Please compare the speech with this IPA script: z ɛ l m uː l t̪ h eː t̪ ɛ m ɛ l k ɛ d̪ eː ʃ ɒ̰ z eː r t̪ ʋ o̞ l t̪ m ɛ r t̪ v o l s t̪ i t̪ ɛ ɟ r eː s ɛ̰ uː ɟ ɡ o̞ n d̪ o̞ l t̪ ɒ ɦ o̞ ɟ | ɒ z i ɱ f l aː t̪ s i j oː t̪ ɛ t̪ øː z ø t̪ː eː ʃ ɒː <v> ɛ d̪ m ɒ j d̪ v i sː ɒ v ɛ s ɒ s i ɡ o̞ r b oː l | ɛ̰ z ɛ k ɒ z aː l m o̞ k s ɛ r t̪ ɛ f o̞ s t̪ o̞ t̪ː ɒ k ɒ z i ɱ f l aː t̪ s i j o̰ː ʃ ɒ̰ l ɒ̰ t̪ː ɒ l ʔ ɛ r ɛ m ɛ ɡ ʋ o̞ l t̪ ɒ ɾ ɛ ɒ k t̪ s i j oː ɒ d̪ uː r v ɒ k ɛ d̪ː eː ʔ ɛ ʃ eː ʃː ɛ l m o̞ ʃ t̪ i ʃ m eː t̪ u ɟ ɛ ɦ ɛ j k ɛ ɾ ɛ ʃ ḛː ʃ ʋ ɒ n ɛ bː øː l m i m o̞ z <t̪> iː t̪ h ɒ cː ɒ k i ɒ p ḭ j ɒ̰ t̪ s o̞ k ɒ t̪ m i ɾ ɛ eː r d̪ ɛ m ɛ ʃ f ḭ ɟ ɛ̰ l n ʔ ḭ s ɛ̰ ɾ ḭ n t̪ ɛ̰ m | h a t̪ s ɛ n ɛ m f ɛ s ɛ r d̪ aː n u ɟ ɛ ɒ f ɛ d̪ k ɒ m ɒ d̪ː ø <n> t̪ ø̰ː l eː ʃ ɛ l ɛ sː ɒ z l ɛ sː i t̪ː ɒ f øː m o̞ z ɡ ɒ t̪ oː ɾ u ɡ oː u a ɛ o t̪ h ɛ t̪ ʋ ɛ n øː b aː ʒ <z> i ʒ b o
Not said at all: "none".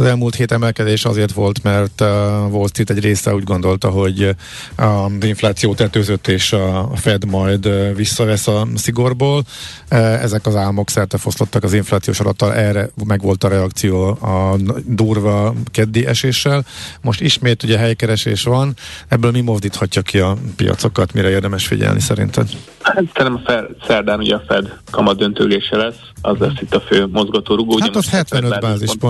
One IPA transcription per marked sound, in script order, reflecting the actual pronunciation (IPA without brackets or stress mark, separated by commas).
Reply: f, d̪, n, z